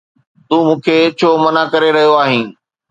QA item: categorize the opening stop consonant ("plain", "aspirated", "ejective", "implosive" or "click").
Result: plain